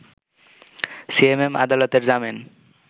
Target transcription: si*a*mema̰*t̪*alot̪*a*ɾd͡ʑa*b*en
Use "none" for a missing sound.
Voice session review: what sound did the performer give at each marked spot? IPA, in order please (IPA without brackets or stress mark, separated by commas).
e, d̪, e, m